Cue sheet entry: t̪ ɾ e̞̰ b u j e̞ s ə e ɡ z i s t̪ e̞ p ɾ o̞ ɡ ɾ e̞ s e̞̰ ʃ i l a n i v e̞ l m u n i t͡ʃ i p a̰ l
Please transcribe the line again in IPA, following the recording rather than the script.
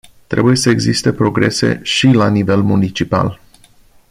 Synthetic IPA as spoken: t̪ ɾ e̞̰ b u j e̞ s ə e ɡ z i s t̪ e̞ p ɾ o̞ ɡ ɾ e̞ s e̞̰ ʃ i l a n i v e̞ l m u n i t͡ʃ i p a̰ l